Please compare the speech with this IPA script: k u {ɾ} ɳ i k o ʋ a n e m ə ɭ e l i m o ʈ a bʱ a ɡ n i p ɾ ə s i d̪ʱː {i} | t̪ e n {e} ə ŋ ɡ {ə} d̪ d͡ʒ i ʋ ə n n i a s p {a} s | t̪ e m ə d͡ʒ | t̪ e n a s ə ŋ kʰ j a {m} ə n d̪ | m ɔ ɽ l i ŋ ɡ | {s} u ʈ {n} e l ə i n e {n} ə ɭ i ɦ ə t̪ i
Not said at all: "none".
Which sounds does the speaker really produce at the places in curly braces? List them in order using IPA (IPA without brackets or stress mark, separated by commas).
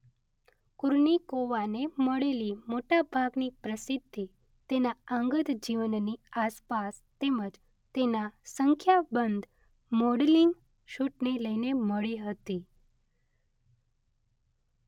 ɾ, i, a, ə, a, b, ʃ, n, m